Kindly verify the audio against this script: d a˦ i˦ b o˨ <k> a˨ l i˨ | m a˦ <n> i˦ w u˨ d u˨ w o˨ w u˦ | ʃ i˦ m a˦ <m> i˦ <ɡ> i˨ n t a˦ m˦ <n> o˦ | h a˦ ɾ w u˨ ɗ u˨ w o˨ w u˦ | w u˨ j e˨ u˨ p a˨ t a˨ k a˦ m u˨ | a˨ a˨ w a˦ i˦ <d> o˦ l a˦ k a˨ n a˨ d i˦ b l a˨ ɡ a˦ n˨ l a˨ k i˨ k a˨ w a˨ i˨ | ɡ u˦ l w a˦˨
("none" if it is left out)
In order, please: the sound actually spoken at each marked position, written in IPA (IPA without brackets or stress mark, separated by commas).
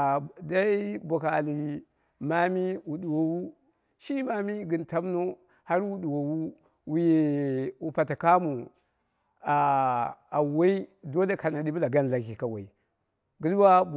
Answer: k, m, m, ɡ, n, d